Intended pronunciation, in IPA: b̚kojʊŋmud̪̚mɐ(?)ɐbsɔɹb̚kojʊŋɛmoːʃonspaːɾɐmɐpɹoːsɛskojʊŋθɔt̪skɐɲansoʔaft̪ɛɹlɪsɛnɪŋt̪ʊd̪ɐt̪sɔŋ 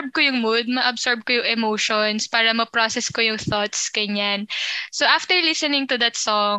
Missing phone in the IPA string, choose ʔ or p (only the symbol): ʔ